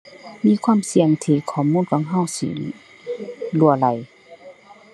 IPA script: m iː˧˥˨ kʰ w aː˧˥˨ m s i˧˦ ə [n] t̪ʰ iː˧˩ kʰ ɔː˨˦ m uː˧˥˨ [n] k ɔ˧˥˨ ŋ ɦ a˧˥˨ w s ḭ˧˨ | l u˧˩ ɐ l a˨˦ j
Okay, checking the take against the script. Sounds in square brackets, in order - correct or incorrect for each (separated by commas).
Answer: incorrect, correct